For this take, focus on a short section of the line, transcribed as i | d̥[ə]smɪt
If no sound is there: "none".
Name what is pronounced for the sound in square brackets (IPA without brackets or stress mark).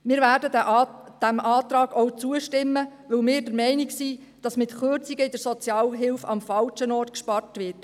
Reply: ɑ